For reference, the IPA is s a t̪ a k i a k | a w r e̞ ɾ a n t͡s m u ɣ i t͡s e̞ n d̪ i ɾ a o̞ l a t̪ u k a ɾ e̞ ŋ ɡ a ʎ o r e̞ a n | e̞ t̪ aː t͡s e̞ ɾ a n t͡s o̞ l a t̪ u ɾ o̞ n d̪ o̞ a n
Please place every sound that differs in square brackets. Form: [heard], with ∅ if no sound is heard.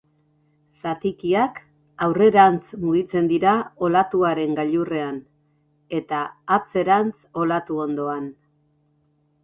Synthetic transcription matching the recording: s a t̪ [i] k i a k | a w r e̞ ɾ a n t͡s m u ɣ i t͡s e̞ n d̪ i ɾ a o̞ l a t̪ u [∅] a ɾ e̞ ŋ ɡ a ʎ [u] r e̞ a n | e̞ t̪ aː t͡s e̞ ɾ a n t͡s o̞ l a t̪ u [∅] o̞ n d̪ o̞ a n